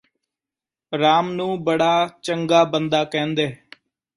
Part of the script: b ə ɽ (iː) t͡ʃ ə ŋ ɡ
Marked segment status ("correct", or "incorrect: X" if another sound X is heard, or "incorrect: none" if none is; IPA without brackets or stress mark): incorrect: aː